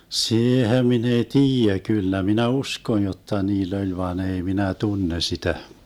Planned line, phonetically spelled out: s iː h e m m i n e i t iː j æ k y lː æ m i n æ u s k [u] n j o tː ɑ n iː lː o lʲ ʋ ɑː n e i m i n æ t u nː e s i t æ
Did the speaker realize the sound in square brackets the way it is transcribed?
no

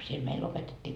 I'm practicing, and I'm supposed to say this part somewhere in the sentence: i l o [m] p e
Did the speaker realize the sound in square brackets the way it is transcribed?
no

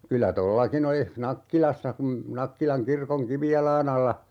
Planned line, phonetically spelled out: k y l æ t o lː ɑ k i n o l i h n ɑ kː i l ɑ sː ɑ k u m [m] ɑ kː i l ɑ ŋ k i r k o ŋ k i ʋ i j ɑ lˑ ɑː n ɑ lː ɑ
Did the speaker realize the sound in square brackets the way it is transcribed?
no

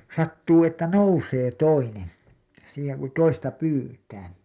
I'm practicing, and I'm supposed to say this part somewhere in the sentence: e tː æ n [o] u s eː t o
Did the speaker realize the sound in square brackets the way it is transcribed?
yes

